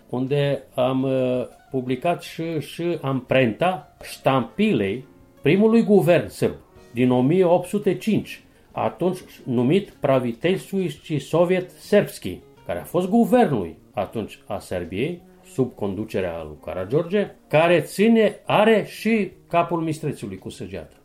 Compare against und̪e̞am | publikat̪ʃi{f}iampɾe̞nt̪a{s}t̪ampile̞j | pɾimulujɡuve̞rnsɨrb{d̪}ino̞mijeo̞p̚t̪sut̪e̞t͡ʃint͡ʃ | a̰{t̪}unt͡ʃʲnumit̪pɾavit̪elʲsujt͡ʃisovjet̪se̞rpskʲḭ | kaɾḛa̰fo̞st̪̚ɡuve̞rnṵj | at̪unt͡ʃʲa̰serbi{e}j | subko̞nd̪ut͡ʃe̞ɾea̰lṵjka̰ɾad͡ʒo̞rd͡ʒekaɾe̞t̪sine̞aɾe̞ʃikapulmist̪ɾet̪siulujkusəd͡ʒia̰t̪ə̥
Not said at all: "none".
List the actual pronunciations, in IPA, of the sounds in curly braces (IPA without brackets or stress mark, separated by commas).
ʃ, ʃ, d̪, t̪, e